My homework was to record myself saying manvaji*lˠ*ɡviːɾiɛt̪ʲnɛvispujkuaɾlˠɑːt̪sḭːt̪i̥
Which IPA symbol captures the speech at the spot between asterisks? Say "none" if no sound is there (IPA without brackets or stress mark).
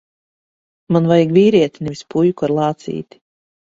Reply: none